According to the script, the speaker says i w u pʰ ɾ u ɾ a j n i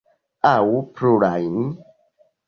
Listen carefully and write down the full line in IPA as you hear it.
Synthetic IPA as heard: a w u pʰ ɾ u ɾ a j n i